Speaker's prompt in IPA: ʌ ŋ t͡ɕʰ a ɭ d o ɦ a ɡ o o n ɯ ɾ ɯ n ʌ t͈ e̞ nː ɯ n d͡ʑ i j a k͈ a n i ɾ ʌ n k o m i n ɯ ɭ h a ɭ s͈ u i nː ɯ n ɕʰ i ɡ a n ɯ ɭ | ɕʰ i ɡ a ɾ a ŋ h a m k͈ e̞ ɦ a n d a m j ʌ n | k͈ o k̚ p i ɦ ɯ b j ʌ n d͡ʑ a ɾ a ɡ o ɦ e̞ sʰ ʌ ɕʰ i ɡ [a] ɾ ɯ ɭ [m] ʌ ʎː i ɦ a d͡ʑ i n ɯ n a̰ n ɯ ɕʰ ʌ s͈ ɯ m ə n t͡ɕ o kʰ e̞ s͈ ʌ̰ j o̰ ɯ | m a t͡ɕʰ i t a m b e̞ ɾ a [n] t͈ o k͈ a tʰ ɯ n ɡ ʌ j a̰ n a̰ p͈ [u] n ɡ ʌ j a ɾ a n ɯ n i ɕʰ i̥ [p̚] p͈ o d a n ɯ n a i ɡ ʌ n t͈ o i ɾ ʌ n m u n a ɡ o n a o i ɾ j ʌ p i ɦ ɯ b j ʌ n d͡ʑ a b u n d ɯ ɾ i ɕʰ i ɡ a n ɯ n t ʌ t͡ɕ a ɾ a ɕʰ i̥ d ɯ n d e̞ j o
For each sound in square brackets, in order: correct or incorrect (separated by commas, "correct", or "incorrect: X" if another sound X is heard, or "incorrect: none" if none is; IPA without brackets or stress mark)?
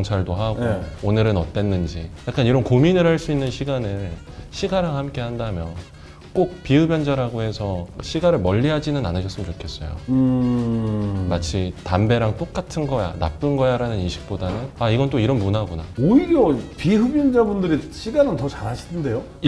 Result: correct, correct, incorrect: ŋ, incorrect: ɯ, incorrect: k̚